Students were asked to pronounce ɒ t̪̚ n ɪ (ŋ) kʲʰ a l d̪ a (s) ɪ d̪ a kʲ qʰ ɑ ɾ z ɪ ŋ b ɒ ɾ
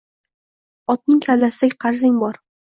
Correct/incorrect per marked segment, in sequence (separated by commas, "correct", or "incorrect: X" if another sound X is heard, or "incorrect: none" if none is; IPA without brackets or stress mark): correct, correct